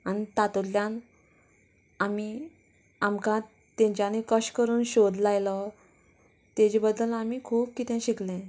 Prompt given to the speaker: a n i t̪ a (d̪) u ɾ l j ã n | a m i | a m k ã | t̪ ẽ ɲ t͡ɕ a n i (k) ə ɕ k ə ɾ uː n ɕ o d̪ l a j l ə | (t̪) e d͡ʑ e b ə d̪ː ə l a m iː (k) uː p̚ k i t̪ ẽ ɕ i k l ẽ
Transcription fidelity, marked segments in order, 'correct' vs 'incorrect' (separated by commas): incorrect, correct, correct, incorrect